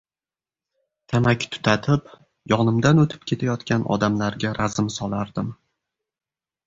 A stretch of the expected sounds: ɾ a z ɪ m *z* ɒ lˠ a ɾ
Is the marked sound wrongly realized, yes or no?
yes